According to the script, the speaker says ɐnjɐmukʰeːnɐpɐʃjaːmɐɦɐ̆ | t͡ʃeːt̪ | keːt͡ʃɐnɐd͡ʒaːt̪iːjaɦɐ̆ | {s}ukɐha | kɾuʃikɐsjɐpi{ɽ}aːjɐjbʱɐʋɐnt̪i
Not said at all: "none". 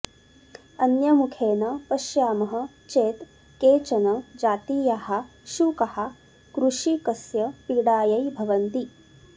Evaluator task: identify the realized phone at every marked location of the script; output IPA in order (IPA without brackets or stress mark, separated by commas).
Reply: ʃ, ɽ